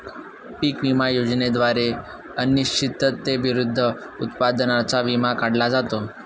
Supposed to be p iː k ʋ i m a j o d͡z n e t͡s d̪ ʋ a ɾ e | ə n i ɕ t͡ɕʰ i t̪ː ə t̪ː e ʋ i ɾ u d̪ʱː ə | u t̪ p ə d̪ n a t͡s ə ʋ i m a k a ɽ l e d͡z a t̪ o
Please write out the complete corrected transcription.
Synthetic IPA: p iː k ʋ i m a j o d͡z n e d̪ ʋ a ɾ e | ə n i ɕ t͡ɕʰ i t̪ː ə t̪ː e ʋ i ɾ u d̪ʱː ə | u t̪ p a d̪ n a t͡s a ʋ i m a k a ɽ l a d͡z a t̪ o

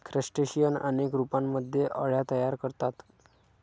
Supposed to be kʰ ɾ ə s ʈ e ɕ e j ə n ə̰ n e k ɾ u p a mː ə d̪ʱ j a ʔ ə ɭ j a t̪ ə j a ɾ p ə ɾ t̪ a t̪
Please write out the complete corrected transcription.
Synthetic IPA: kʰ ɾ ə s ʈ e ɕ i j ə n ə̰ n e k ɾ u p a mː ə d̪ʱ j e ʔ ə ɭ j a t̪ ə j a ɾ k ə ɾ t̪ a t̪

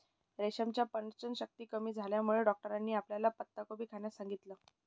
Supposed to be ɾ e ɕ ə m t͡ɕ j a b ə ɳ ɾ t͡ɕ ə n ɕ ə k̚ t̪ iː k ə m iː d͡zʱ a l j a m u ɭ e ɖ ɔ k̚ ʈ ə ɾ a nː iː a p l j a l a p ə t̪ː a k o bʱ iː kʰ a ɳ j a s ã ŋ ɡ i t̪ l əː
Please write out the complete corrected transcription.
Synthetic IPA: ɾ e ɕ ə m t͡ɕ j a p ə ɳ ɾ t͡ɕ ə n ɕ ə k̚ t̪ iː k ə m iː d͡zʱ a l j a m u ɭ e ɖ ɔ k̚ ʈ ə ɾ a nː iː a p l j a l a p ə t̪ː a k o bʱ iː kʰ a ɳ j a s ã ŋ ɡ i t̪ l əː

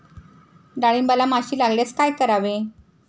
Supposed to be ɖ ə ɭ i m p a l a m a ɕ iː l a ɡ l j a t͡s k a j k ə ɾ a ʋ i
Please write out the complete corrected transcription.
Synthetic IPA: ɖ a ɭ i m b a l a m a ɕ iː l a ɡ l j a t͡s k a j k ə ɾ a ʋ e

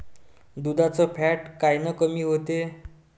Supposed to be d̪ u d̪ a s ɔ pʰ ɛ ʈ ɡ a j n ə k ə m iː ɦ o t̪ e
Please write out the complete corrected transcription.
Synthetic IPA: d̪ u d̪ a t͡s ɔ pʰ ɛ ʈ k a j n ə k ə m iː ɦ o t̪ e

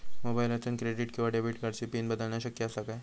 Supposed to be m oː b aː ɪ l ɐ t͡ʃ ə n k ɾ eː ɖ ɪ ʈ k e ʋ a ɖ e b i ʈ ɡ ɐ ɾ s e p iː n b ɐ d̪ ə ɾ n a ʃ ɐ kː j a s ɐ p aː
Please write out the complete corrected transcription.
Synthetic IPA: m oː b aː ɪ l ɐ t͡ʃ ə n k ɾ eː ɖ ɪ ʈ k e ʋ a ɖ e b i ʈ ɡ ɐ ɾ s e p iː n b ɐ d̪ ə l n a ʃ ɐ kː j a s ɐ k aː

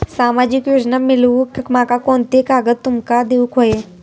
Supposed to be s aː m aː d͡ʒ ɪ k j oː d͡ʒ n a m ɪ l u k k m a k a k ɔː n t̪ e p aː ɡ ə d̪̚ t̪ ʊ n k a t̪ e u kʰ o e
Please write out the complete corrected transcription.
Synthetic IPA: s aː m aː d͡ʒ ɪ k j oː d͡ʒ n a m ɪ l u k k m a k a k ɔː n t̪ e k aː ɡ ə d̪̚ t̪ ʊ m k a d̪ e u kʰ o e

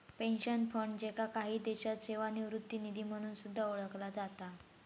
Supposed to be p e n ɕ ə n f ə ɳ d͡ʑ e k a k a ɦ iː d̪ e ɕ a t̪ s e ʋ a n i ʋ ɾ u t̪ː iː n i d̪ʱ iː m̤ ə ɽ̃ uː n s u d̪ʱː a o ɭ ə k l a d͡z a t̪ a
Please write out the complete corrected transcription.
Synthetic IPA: p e n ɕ ə n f ə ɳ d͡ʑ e k a k a ɦ iː d̪ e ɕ a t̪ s e ʋ a n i ʋ ɾ u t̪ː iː n i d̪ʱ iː m̤ ə ɽ̃ uː n s u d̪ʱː a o ɭ ə k l a d͡z a t̪ a

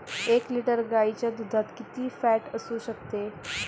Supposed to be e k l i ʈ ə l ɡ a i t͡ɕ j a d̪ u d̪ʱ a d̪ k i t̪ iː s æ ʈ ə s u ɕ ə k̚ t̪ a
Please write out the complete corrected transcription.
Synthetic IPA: e k l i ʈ ə ɾ ɡ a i t͡ɕ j a d̪ u d̪ʱ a t̪ k i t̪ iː f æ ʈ ə s u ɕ ə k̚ t̪ e

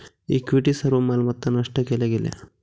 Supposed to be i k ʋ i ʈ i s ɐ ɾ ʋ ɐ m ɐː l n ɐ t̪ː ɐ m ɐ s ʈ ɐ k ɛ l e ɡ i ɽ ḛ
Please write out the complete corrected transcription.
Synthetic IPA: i k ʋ i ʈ i s ɐ ɾ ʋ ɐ m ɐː l m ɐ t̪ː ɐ n ɐ ʂ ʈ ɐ k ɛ l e ɡ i l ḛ

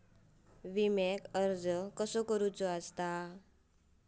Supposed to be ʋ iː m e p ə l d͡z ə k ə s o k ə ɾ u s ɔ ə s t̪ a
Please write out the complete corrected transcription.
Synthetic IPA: ʋ i m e k ə ɾ d͡z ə k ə s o k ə ɾ u t͡s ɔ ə s t̪ a

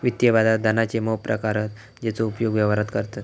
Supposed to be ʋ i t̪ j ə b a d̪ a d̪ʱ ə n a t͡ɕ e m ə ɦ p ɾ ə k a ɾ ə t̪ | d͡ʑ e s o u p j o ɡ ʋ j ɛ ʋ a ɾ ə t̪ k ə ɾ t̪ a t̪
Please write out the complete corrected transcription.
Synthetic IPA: ʋ i t̪ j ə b a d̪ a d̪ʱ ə n a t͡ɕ e m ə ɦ p ɾ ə k a ɾ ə t̪ | d͡ʑ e t͡s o u p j o ɡ ʋ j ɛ ʋ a ɾ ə t̪ k ə ɾ t̪ a t̪

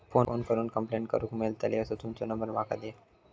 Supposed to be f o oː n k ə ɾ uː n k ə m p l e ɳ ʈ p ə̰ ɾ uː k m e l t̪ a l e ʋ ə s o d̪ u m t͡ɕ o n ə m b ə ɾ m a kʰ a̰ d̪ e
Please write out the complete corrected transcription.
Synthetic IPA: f o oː n k ə ɾ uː n k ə m p l e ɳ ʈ k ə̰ ɾ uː k m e l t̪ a l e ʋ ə s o t̪ u m t͡ɕ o n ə m b ə ɾ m a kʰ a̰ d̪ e

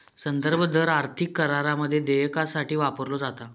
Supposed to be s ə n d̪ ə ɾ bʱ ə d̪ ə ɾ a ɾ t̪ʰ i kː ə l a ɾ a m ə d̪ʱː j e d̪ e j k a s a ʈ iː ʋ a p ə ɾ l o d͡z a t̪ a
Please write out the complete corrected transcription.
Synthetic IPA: s ə n d̪ ə ɾ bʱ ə d̪ ə ɾ a ɾ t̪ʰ i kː ə ɾ a ɾ a m ə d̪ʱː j e d̪ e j k a s a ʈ iː ʋ a p ə ɾ l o d͡z a t̪ a

